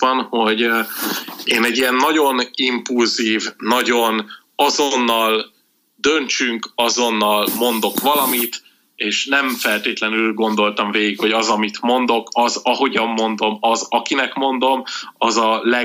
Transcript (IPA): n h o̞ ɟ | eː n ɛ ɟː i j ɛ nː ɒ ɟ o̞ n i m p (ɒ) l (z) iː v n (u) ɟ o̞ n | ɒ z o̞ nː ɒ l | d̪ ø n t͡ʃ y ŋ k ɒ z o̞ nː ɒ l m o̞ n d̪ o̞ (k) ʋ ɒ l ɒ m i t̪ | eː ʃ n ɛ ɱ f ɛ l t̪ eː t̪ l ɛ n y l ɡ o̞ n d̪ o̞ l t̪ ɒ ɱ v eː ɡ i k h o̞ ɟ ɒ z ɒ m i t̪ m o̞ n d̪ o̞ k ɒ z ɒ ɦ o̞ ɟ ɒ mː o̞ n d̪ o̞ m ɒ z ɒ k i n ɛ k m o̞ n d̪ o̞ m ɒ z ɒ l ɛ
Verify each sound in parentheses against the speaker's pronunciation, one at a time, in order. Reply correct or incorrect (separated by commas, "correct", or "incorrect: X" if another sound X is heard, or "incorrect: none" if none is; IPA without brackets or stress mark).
incorrect: u, correct, incorrect: ɒ, correct